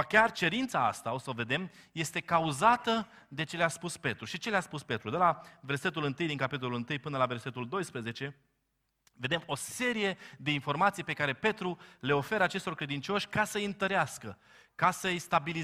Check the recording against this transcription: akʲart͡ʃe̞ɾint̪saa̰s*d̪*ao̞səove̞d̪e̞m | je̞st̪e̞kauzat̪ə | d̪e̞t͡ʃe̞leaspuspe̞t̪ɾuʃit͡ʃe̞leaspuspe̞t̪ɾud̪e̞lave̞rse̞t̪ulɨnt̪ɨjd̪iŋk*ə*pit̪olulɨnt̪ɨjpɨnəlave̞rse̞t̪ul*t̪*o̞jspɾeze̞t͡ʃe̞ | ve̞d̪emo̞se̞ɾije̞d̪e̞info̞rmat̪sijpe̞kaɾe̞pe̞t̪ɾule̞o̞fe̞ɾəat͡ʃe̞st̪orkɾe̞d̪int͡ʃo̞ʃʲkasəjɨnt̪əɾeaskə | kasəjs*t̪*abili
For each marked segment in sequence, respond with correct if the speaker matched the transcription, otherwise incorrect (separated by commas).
incorrect, incorrect, incorrect, correct